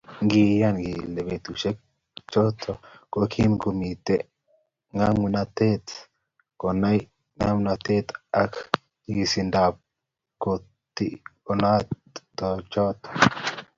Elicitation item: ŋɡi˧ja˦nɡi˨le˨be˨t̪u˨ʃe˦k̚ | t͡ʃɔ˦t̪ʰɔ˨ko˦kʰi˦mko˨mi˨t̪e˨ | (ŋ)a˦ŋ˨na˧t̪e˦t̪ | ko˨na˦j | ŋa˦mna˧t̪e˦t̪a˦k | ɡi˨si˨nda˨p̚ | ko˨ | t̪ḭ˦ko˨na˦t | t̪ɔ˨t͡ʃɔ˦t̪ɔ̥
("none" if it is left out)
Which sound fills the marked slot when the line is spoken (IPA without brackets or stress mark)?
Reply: ŋ